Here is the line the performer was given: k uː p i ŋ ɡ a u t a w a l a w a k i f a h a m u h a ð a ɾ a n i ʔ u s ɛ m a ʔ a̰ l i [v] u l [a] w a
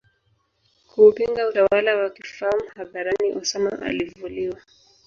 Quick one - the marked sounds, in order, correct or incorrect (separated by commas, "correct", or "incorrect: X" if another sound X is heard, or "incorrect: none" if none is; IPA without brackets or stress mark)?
correct, incorrect: i